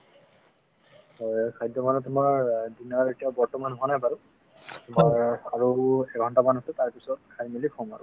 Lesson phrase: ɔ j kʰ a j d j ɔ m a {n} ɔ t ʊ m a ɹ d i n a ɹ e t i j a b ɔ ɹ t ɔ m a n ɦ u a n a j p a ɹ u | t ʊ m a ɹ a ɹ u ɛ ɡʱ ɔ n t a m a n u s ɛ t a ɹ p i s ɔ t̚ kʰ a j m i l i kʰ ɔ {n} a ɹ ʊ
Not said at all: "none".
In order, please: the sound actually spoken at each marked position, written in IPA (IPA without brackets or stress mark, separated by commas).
n, m